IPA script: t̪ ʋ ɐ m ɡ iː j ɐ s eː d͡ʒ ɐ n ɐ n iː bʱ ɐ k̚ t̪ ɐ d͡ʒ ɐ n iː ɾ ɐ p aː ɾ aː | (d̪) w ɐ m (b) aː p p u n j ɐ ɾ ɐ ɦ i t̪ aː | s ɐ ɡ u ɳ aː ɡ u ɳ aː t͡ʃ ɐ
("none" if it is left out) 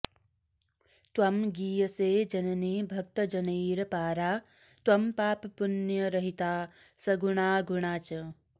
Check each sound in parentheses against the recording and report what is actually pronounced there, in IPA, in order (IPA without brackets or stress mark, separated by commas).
t̪, p